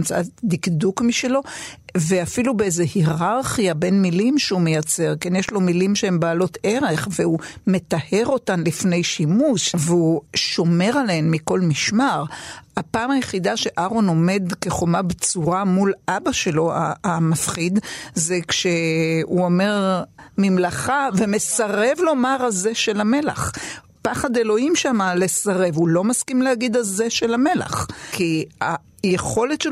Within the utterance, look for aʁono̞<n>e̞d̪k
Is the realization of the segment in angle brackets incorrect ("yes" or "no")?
yes